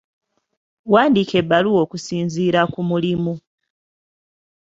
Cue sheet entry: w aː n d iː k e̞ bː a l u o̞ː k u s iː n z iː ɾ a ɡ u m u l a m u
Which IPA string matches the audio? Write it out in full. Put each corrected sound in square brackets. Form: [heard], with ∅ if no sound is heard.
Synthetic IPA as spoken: w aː n d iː k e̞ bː a l u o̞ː k u s iː n z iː ɾ a [k] u m u l [i] m u

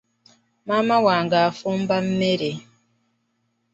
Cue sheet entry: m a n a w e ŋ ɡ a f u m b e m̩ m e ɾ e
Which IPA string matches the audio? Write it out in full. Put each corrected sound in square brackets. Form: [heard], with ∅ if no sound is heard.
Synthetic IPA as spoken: m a [m] a w [a] ŋ ɡ a f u m b [a] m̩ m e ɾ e

